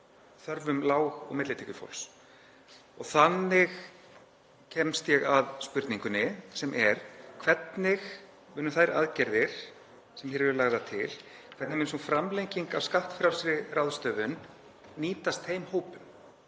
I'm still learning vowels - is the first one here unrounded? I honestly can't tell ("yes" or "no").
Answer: no